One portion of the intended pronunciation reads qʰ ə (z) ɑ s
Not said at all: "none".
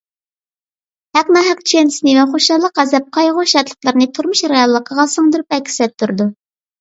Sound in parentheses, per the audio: ʁ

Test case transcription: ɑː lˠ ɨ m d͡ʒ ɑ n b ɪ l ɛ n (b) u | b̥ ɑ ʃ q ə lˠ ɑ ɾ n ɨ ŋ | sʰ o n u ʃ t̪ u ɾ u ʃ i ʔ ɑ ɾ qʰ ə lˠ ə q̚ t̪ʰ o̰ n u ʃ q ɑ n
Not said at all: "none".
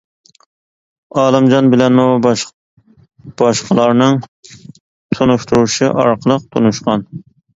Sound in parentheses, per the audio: m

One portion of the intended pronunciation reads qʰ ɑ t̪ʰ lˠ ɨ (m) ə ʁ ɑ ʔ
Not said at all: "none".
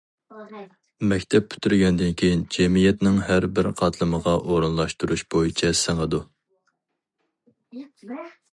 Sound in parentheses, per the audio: m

